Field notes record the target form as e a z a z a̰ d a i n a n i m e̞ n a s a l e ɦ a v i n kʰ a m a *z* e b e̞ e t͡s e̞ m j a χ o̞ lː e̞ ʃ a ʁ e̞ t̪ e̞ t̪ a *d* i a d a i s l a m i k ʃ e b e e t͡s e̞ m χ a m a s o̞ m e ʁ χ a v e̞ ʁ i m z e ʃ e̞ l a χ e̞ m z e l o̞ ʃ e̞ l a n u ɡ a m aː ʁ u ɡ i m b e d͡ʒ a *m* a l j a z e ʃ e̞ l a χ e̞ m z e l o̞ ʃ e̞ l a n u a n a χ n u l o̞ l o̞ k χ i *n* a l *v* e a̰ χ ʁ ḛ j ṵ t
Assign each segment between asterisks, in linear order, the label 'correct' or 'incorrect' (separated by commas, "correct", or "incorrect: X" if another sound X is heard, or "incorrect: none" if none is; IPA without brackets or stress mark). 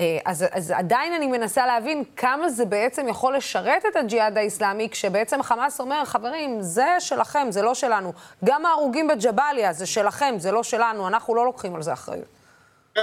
correct, incorrect: d͡ʒ, incorrect: b, incorrect: m, incorrect: z